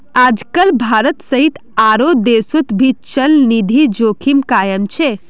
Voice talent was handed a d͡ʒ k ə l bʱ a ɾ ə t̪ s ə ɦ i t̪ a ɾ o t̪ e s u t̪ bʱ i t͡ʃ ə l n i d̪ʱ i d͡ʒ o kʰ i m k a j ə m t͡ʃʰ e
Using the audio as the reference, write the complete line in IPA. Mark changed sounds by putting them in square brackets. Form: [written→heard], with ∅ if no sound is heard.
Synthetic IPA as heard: a d͡ʒ k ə l bʱ a ɾ ə t̪ s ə ɦ i t̪ a ɾ o [t̪→d̪] e s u t̪ bʱ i t͡ʃ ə l n i d̪ʱ i d͡ʒ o kʰ i m k a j ə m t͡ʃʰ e